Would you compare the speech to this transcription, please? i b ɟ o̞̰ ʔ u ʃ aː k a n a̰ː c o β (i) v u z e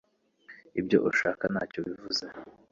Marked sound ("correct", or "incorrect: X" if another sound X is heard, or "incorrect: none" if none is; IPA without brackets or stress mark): correct